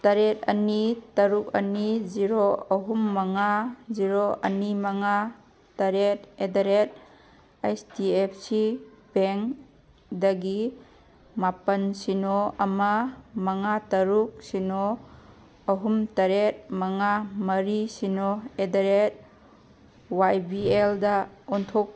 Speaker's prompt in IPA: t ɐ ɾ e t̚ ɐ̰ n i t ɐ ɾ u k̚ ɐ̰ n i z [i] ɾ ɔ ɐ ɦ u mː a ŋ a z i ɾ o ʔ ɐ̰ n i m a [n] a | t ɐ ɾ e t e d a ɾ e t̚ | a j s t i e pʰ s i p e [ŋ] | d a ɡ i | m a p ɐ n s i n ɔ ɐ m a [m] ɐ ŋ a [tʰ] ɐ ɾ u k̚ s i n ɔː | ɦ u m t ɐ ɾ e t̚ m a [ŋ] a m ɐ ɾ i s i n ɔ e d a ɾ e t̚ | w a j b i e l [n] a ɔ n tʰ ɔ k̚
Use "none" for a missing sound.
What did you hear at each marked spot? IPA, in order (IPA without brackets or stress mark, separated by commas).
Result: i, ŋ, ŋ, m, t, ŋ, d